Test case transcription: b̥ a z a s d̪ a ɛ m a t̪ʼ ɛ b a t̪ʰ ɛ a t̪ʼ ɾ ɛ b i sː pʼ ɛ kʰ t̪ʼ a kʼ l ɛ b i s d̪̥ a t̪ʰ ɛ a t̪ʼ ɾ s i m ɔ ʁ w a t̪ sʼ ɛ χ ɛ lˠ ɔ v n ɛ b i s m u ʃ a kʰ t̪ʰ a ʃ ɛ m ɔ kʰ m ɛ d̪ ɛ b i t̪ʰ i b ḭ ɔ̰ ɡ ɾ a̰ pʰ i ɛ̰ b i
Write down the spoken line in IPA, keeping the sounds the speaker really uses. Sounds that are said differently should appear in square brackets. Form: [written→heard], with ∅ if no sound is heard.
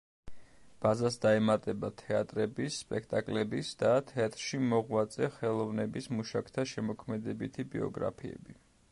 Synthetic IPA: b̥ a z a s d̪ a ɛ m a t̪ʼ ɛ b a t̪ʰ ɛ a t̪ʼ ɾ ɛ b i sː pʼ ɛ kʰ t̪ʼ a kʼ l ɛ b i s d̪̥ a t̪ʰ ɛ a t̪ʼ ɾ [s→ʃ] i m ɔ ʁ w a t̪ sʼ ɛ χ ɛ lˠ ɔ v n ɛ b i s m u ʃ a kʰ t̪ʰ a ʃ ɛ m ɔ kʰ m ɛ d̪ ɛ b i t̪ʰ i b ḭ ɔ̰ ɡ ɾ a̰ pʰ i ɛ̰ b i